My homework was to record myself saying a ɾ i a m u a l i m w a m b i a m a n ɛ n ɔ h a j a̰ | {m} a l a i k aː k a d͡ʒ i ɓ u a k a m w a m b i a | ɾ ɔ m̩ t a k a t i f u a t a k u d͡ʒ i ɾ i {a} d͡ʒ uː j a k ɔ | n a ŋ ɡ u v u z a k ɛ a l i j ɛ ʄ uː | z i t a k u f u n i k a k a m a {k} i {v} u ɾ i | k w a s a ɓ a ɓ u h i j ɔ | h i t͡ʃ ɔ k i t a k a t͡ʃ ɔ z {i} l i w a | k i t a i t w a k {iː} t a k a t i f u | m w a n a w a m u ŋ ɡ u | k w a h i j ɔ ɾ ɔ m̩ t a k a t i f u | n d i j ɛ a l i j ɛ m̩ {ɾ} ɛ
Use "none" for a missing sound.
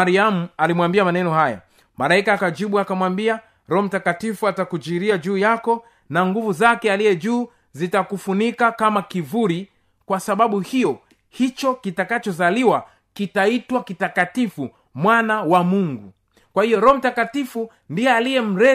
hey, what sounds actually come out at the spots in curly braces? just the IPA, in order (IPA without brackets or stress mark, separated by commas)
m, a, k, v, a, i, ɾ